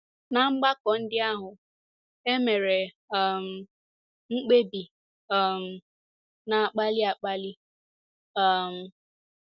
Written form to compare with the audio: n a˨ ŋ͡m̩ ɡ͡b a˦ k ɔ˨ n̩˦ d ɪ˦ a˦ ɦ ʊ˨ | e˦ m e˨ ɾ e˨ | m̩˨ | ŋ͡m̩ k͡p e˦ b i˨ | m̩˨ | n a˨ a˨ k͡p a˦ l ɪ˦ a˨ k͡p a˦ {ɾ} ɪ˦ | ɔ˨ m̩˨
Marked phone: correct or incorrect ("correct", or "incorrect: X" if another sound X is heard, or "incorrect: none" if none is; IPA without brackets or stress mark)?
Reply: incorrect: l